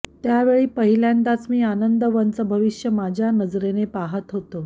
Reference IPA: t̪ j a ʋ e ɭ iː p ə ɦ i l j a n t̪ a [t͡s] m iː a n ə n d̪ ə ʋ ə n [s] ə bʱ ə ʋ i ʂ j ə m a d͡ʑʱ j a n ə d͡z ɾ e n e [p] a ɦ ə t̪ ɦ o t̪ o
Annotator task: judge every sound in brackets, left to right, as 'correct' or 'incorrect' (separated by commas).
correct, incorrect, correct